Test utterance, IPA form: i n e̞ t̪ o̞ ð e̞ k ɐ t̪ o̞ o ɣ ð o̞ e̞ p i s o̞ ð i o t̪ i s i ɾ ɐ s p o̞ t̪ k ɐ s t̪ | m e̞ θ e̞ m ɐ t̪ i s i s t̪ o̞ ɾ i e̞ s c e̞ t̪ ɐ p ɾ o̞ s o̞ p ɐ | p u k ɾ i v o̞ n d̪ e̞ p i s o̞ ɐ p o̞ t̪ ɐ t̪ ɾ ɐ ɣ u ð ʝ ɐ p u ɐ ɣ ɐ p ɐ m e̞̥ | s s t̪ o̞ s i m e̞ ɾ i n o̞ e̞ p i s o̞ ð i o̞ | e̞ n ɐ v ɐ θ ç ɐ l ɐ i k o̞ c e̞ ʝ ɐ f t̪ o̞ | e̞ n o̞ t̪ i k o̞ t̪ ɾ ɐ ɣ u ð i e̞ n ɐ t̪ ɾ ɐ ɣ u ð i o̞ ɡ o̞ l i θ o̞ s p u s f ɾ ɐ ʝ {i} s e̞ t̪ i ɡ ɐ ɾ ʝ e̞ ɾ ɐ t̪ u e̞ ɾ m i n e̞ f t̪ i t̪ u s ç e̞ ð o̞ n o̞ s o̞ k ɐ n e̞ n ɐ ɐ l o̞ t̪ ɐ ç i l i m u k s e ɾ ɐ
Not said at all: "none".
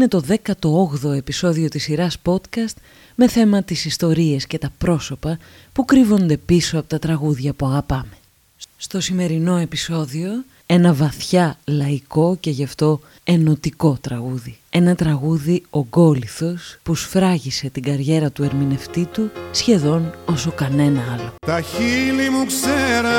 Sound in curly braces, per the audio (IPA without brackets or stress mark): i